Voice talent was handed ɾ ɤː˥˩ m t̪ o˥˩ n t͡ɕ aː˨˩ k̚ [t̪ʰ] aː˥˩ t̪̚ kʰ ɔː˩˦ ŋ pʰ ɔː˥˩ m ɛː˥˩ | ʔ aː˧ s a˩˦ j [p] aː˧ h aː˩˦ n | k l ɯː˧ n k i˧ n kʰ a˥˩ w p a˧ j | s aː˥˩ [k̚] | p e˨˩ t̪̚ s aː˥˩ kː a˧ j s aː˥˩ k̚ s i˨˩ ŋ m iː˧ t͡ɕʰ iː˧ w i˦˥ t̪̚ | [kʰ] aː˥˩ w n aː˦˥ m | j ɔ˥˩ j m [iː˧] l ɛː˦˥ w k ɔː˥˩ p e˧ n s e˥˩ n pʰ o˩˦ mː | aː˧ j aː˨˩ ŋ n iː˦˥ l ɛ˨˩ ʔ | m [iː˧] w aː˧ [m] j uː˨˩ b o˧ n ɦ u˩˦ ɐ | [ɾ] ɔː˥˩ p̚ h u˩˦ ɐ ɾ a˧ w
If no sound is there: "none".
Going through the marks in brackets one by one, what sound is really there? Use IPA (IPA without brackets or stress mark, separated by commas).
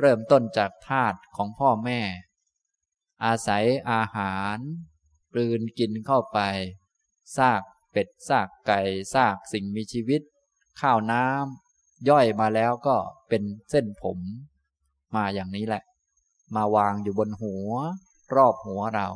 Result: t̪ʰ, ʔ, k̚, kʰ, aː˧, aː˧, ŋ, ɾ